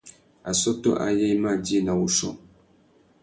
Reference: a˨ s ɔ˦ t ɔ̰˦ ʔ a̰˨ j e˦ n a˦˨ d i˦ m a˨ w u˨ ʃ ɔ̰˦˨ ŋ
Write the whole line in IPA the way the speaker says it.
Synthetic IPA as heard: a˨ s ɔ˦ t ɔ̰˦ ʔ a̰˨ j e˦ m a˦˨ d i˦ n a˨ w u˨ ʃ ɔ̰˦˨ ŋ